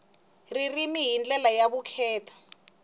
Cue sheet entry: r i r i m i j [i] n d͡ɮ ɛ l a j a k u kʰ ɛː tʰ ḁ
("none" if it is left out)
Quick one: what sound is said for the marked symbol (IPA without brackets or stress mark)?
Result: i